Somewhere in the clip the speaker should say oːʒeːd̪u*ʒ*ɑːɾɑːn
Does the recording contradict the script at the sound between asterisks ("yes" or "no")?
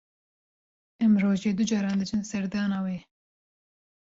yes